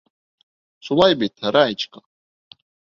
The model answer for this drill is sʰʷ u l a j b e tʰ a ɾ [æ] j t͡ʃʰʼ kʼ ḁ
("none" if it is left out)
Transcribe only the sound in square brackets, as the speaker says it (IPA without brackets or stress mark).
a